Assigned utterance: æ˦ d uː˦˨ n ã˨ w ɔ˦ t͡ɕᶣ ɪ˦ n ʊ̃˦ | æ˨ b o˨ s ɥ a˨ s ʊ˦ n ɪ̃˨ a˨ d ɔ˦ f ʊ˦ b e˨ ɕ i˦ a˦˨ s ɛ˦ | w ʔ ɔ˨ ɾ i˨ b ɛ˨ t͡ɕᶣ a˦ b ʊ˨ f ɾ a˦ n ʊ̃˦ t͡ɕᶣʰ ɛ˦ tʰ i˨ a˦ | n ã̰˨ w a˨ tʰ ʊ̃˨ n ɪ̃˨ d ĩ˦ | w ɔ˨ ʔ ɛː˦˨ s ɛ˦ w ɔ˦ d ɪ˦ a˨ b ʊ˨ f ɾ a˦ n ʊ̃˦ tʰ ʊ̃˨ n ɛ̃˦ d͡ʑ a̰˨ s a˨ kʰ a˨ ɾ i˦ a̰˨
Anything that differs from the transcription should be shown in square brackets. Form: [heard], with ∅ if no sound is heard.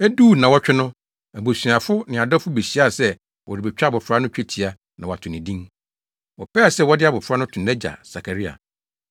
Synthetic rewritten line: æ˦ d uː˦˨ n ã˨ w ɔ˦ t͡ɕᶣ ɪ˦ n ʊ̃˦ | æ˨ b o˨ s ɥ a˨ [f] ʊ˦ n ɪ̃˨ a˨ d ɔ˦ f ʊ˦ b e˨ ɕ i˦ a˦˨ s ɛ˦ | w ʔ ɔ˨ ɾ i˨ b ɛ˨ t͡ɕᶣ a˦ b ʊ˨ f ɾ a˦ n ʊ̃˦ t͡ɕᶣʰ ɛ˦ tʰ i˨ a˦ | n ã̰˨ w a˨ tʰ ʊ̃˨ n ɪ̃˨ d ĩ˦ | w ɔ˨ [p] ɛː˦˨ s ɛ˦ w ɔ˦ d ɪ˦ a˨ b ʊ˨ f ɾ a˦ n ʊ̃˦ tʰ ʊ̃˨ n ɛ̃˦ d͡ʑ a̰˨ s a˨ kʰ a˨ ɾ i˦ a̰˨